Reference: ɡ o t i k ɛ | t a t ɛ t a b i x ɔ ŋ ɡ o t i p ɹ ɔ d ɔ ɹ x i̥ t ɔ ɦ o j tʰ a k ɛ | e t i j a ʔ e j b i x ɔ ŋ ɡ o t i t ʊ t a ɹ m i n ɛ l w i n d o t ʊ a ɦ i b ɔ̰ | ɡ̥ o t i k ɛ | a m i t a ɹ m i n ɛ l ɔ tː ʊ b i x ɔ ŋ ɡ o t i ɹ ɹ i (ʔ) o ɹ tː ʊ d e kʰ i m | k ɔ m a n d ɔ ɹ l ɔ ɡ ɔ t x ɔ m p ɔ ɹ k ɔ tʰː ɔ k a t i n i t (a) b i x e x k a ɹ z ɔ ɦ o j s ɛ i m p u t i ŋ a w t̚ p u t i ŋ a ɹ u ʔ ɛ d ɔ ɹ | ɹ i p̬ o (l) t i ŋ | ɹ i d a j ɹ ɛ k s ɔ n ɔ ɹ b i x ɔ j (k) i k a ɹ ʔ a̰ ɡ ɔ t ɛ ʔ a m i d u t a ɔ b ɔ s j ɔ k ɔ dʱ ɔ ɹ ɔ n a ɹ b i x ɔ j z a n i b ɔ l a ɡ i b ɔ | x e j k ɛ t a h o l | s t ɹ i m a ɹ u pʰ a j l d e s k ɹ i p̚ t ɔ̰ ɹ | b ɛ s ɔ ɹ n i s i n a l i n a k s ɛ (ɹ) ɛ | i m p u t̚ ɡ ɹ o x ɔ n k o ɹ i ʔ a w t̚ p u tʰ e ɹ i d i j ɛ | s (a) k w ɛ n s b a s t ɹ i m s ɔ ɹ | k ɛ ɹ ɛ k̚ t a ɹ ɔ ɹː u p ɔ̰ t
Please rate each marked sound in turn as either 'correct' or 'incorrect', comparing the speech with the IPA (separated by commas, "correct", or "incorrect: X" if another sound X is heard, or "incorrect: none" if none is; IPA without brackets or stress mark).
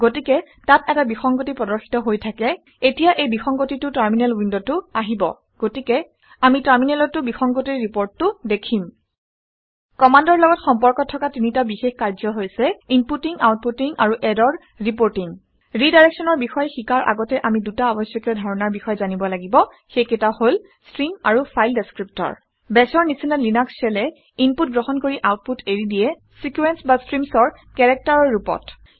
incorrect: p, correct, incorrect: ɹ, incorrect: x, incorrect: l, incorrect: i